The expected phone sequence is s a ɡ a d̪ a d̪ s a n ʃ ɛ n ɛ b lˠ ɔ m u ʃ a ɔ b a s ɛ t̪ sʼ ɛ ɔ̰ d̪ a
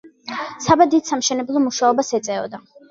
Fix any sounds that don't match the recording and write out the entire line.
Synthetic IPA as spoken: s a b a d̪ i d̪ s a m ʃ ɛ n ɛ b lˠ ɔ m u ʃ a ɔ b a s ɛ t̪ sʼ ɛ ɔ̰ d̪ a